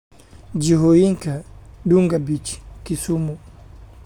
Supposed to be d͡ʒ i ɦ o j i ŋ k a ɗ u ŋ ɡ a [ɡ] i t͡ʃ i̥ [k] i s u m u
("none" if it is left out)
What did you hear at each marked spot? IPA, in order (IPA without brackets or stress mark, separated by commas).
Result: b, k